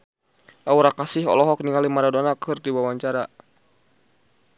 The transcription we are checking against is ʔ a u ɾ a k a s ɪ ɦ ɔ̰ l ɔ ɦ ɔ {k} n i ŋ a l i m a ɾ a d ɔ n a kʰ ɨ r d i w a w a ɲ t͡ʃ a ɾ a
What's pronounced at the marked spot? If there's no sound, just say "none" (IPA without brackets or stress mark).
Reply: k